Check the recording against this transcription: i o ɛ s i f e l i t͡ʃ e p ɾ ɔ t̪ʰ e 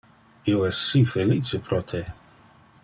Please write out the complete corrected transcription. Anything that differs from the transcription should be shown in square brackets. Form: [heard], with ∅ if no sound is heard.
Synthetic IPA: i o ɛ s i f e l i t͡ʃ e p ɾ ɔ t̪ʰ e